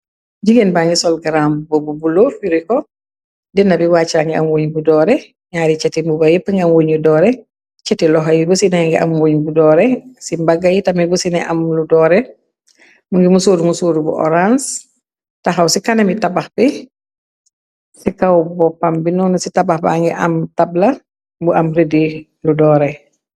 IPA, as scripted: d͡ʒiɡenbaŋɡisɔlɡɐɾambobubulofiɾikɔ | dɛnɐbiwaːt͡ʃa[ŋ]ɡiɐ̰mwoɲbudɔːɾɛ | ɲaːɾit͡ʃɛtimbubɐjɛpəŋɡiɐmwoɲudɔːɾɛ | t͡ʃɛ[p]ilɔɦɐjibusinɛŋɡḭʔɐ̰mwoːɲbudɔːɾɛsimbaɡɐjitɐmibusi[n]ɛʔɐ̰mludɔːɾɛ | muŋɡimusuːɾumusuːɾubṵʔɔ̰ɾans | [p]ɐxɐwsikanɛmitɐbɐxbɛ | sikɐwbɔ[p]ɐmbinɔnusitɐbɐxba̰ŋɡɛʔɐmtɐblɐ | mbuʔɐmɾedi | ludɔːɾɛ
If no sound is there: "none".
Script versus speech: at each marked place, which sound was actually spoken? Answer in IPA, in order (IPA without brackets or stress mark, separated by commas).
ŋ, t, n, t, p